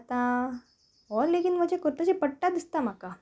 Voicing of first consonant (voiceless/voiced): voiceless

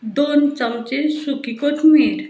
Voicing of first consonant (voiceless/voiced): voiced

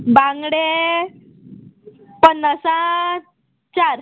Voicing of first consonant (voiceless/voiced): voiced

